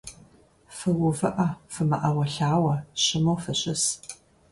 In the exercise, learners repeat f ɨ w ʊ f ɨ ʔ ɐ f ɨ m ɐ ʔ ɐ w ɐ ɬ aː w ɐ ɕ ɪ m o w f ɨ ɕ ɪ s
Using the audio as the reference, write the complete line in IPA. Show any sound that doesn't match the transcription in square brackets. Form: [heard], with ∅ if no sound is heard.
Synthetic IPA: f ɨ w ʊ [v] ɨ ʔ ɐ f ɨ m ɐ ʔ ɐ w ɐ ɬ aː w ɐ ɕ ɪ m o w f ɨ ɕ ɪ s